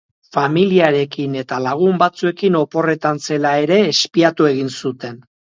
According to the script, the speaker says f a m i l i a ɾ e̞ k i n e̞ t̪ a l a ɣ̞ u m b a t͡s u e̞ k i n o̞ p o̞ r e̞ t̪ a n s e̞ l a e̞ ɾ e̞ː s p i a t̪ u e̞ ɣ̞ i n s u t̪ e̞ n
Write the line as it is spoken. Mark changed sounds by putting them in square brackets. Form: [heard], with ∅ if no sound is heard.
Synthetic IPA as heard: f a m i l i a ɾ e̞ k i n e̞ t̪ a l a ɣ̞ u m b a t͡s u e̞ k i n o̞ p o̞ r e̞ t̪ a n s e̞ l a e̞ ɾ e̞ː s p i a t̪ u e̞ ɣ̞ i n s u t̪ e̞ n